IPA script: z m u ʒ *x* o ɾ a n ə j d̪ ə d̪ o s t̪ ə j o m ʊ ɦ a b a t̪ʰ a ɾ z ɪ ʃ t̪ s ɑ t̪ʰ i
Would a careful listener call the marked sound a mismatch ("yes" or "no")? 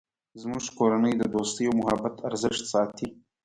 yes